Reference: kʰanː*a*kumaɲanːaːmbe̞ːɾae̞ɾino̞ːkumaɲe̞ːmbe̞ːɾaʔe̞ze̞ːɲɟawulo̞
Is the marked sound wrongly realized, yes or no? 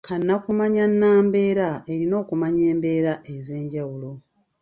no